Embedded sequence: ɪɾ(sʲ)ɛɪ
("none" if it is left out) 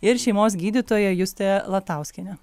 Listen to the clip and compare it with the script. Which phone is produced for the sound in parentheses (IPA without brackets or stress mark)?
ʃʲ